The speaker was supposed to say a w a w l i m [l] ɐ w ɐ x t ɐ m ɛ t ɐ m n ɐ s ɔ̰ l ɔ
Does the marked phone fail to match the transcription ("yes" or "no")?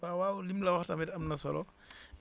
no